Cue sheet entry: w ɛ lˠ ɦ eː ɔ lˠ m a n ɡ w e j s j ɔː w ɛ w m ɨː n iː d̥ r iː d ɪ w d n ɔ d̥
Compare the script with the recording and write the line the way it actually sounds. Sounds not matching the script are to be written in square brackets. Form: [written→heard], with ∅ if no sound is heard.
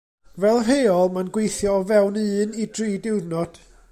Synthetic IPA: [w→v] ɛ lˠ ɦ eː ɔ lˠ m a n ɡ w e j [s→θ] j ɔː [w→v] ɛ w [m→n] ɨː n [iː→i] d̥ r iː d ɪ w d n ɔ d̥